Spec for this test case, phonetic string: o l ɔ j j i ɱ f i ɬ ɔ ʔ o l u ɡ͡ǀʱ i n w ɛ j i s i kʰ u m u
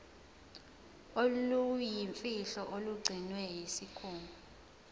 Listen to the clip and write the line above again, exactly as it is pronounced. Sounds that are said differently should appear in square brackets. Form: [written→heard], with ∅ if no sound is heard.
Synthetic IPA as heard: o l [ɔ→u] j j i ɱ f i ɬ ɔ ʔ o l u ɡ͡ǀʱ i n w ɛ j i s i kʰ [u→uː] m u